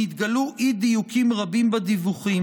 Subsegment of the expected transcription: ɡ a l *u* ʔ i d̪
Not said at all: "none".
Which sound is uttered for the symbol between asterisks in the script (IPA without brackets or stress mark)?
u